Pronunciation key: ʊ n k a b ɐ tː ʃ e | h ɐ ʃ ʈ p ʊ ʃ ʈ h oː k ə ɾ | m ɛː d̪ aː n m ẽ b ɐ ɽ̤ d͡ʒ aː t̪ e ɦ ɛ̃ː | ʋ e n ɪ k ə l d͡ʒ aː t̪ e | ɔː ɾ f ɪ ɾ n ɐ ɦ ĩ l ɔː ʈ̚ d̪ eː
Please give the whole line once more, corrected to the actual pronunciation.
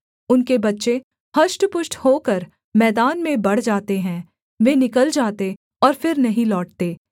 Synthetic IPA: ʊ n k e b ɐ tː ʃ e | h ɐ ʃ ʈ p ʊ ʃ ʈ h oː k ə ɾ | m ɛː d̪ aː n m ẽ b ɐ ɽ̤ d͡ʒ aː t̪ e ɦ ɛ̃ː | ʋ e n ɪ k ə l d͡ʒ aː t̪ e | ɔː ɾ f ɪ ɾ n ɐ ɦ ĩ l ɔː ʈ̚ t̪ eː

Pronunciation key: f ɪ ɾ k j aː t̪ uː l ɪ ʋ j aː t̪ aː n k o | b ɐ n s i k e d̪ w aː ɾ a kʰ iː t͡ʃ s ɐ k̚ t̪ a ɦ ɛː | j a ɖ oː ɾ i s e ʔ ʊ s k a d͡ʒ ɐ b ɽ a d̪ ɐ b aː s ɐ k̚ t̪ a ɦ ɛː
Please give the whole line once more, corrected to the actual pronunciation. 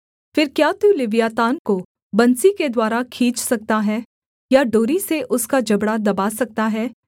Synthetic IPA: f ɪ ɾ k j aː t̪ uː l ɪ ʋ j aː t̪ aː n k o | b ɐ n s i k e d̪ w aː ɾ a kʰ iː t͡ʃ s ɐ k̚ t̪ a ɦ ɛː | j a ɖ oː ɾ i s e ʔ ʊ s k a d͡ʒ ɐ b ɽ a d̪ ɐ b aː s ɐ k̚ t̪ a ɦ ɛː

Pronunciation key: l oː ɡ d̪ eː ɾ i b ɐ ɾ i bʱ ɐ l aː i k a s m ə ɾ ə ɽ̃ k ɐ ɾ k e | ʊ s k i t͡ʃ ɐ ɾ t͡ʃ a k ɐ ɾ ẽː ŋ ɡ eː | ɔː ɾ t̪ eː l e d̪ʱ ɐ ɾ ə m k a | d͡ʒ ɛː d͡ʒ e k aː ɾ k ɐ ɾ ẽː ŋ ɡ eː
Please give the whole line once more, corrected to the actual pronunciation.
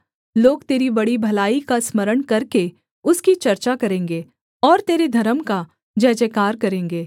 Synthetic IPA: l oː ɡ t̪ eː ɾ i b ɐ ɽ i bʱ ɐ l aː i k a s m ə ɾ ə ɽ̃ k ɐ ɾ k e | ʊ s k i t͡ʃ ɐ ɾ t͡ʃ a k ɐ ɾ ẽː ŋ ɡ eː | ɔː ɾ t̪ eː ɾ e d̪ʱ ɐ ɾ ə m k a | d͡ʒ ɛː d͡ʒ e k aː ɾ k ɐ ɾ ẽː ŋ ɡ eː

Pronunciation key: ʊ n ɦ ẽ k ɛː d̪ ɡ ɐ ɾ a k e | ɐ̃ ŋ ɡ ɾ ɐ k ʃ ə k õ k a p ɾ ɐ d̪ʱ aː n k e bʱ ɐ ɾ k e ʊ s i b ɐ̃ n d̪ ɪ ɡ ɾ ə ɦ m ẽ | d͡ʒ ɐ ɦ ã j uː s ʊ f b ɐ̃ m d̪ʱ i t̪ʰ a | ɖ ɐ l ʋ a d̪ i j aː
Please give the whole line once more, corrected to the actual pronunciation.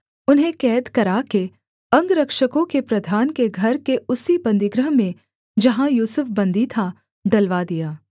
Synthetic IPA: ʊ n ɦ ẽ k ɛː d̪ k ɐ ɾ a k e | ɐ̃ ŋ ɡ ɾ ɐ k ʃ ə k õ k e p ɾ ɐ d̪ʱ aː n k e ɡʱ ɐ ɾ k e ʊ s i b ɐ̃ n d̪ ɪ ɡ ɾ ə ɦ m ẽ | d͡ʒ ɐ ɦ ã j uː s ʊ f b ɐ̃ n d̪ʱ i t̪ʰ a | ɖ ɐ l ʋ a d̪ i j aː

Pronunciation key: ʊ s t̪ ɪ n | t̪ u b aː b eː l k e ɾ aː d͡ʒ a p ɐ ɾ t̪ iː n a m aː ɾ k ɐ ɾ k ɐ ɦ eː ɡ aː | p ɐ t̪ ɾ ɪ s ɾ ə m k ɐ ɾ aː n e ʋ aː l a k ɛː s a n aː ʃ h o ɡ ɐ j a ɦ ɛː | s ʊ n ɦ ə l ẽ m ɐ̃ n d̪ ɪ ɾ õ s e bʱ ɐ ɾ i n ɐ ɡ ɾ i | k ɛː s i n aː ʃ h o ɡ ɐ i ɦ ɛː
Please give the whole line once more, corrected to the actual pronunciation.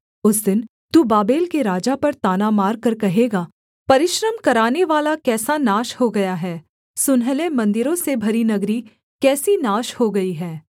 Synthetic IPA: ʊ s d̪ ɪ n | t̪ u b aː b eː l k e ɾ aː d͡ʒ a p ɐ ɾ t̪ aː n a m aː ɾ k ɐ ɾ k ɐ ɦ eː ɡ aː | p ɐ ɾ ɪ ʃ ɾ ə m k ɐ ɾ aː n e ʋ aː l a k ɛː s a n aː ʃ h o ɡ ɐ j a ɦ ɛː | s ʊ n ɦ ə l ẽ m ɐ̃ n d̪ ɪ ɾ õ s e bʱ ɐ ɾ i n ɐ ɡ ɾ i | k ɛː s i n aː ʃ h o ɡ ɐ i ɦ ɛː

